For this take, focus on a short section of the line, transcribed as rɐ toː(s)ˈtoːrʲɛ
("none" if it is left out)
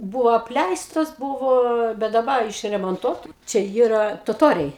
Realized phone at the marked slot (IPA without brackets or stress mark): none